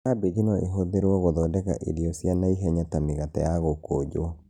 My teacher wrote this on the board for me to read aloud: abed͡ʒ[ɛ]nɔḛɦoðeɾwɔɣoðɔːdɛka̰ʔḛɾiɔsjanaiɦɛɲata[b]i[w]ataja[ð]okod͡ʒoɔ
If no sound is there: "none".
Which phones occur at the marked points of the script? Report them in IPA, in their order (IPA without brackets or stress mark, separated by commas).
i, m, ɣ, ɣ